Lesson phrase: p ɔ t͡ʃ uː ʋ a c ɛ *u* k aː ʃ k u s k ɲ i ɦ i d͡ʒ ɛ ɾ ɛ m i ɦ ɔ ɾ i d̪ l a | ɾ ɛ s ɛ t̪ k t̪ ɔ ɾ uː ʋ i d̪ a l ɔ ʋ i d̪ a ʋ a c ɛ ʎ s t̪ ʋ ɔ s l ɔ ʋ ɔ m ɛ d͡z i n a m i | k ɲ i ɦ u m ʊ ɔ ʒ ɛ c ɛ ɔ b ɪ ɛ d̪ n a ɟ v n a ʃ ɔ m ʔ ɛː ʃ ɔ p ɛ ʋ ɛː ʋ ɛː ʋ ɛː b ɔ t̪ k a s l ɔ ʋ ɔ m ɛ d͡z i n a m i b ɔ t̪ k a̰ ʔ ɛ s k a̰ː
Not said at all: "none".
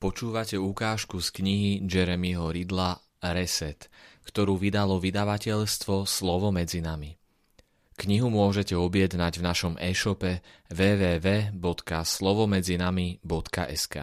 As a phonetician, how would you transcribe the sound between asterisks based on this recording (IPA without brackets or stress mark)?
u